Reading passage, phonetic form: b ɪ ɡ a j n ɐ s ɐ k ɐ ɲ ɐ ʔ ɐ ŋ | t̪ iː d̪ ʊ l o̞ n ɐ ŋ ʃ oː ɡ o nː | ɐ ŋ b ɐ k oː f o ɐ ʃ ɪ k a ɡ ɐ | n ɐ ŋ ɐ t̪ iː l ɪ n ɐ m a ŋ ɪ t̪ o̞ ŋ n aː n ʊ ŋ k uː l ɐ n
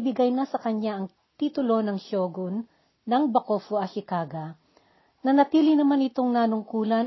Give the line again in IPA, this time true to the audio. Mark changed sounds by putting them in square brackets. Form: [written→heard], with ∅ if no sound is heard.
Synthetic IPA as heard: b ɪ ɡ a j n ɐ s ɐ k ɐ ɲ [ɐ→a] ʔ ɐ ŋ | t̪ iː [d̪→t̪] ʊ l o̞ n ɐ ŋ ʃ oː ɡ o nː | ɐ ŋ b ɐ k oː f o ɐ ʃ ɪ k a ɡ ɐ | n ɐ [ŋ→n] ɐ t̪ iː l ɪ n ɐ m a [ŋ→n] ɪ t̪ o̞ ŋ n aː n ʊ ŋ k uː l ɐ n